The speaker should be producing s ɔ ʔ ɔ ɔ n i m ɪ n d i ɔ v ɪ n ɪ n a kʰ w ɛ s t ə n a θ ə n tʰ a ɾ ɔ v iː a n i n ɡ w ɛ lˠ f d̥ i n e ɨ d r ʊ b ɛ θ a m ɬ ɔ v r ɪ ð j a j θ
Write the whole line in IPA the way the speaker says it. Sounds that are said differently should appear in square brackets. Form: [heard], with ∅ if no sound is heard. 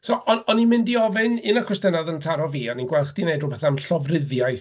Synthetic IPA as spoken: s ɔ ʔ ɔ ɔ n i m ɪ n d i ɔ v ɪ n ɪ n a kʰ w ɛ s t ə n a [ð] ə n tʰ a ɾ ɔ v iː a n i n ɡ w ɛ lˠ [χ] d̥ i n e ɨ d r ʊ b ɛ θ a m ɬ ɔ v r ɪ ð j a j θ